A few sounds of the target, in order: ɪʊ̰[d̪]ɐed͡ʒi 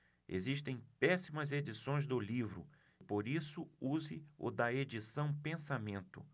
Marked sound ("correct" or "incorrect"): correct